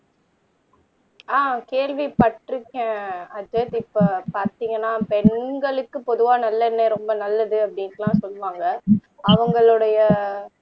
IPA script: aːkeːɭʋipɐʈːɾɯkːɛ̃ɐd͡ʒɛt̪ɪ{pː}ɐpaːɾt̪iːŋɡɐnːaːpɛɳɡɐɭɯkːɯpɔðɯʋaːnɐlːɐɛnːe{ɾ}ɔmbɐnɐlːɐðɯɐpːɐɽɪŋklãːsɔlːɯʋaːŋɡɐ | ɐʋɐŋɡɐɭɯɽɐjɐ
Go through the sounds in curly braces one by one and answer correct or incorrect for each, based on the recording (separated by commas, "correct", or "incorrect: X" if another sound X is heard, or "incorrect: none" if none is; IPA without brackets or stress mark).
correct, correct